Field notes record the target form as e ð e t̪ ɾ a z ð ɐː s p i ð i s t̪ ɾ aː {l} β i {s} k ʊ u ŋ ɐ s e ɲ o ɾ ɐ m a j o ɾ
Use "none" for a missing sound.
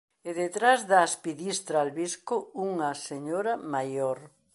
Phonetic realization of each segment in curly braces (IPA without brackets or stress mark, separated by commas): l, s